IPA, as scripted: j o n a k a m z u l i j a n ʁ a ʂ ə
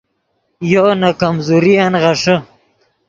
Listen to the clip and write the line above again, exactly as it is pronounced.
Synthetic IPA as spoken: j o n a k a m z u ɾ i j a n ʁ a ʂ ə